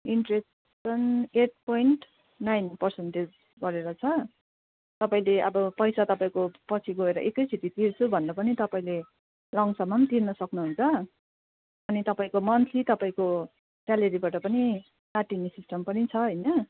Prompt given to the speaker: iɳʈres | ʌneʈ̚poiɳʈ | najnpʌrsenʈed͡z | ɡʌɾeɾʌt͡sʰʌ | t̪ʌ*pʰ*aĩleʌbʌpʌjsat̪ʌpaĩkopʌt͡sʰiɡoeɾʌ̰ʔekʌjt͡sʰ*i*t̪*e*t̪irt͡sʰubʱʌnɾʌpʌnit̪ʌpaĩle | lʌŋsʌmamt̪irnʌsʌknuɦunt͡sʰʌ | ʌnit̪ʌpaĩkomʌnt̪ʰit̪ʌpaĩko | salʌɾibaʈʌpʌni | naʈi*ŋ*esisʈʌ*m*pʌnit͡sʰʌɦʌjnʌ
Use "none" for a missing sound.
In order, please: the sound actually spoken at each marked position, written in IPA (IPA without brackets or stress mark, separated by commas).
p, i, i, n, m